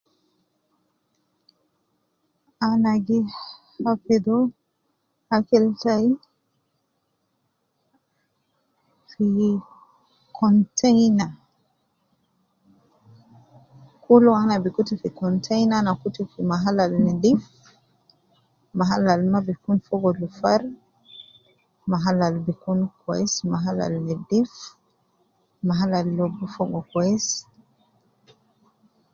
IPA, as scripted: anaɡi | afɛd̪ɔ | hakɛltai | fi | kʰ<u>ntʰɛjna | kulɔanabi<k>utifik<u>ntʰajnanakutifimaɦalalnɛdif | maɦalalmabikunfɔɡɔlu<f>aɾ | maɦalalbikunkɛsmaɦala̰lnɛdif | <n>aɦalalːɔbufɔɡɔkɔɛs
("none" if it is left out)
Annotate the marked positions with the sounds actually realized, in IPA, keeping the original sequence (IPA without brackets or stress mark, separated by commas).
ɔ, k, ɔ, f, m